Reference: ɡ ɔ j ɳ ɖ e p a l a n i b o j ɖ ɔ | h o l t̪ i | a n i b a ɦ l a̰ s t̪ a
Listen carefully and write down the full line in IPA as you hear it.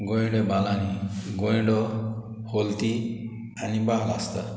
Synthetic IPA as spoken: ɡ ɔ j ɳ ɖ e b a l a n i ɡ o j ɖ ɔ | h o l t̪ i | a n i b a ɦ l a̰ s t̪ a